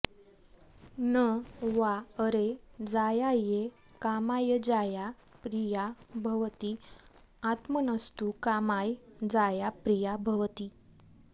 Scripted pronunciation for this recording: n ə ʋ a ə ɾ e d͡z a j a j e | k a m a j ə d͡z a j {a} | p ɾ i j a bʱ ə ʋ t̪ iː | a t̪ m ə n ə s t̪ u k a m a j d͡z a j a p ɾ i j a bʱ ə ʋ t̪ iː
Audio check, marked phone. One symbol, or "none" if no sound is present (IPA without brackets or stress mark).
a